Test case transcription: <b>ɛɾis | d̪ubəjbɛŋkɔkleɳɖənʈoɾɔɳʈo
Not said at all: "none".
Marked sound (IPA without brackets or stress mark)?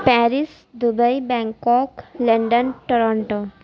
p